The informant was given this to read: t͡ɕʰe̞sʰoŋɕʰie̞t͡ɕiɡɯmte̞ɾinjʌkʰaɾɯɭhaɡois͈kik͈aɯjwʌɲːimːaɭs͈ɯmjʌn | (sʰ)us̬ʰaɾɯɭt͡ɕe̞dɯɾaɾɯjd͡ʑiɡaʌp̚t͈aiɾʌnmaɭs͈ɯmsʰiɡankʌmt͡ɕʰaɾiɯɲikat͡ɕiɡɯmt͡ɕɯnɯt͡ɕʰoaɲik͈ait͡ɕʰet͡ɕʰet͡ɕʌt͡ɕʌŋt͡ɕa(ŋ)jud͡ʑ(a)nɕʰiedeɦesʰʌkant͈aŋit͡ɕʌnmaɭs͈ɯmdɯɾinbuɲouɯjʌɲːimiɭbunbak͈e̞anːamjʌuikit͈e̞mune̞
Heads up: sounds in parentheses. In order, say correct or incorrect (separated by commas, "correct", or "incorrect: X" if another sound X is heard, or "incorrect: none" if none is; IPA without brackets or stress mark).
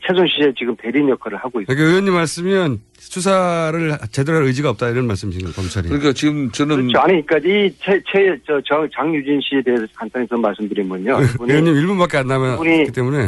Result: correct, correct, incorrect: i